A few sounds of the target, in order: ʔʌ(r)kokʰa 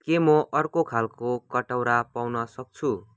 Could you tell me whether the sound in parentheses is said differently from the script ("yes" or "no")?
no